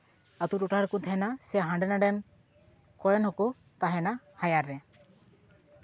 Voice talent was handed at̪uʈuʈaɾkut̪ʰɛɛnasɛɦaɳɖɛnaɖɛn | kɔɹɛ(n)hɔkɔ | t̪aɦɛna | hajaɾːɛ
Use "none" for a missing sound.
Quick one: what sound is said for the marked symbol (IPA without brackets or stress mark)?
n